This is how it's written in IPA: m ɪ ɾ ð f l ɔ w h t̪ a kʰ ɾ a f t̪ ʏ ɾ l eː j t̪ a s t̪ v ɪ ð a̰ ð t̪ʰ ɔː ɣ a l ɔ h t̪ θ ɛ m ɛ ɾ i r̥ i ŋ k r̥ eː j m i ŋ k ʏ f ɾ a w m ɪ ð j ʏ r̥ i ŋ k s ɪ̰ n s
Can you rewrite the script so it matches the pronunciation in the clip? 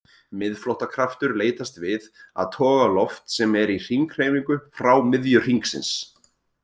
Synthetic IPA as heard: m ɪ ð f l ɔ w h t̪ a kʰ ɾ a f t̪ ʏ ɾ l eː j t̪ a s t̪ v ɪ ð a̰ ð t̪ʰ ɔː ɣ a l ɔ f t̪ s ɛ m ɛ ɾ i r̥ i ŋ k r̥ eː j m i ŋ k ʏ f ɾ a w m ɪ ð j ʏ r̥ i ŋ k s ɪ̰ n s